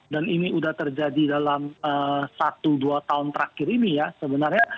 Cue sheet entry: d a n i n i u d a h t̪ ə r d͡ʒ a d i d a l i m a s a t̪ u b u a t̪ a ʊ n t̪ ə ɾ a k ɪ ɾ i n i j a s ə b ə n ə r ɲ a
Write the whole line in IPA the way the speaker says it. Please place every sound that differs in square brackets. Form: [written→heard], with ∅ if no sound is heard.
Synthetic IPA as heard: d a n i n i u d a h t̪ ə r d͡ʒ a d i d a l [i→a] m [a→ə] s a t̪ u [b→d] u a t̪ a ʊ n t̪ ə ɾ a k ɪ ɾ i n i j a s ə b ə n [ə→a] r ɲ a

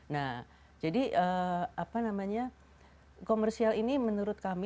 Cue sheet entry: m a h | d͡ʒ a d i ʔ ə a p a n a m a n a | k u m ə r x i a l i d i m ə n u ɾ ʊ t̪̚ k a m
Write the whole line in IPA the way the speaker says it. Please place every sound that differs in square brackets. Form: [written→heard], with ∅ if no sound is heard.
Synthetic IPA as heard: [m→n] a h | d͡ʒ a d i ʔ ə a p a n a m a [n→ɲ] a | k [u→o] m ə r [x→s] i a l i [d→n] i m ə n u ɾ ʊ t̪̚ k a m

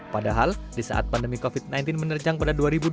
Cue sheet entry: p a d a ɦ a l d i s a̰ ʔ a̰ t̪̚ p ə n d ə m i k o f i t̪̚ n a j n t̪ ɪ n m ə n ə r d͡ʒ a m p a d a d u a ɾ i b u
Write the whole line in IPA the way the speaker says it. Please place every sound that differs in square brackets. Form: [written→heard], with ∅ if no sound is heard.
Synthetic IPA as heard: p a d a ɦ a l d i s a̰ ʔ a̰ t̪̚ p [ə→a] n d ə m i k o f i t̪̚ n a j n t̪ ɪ n m ə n ə r d͡ʒ a [m→ŋ] p a d a d u a ɾ i b u

